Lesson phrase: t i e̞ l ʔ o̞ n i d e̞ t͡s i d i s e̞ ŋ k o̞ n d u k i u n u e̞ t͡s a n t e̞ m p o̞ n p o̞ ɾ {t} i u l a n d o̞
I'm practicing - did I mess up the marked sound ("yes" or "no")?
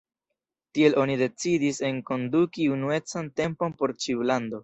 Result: yes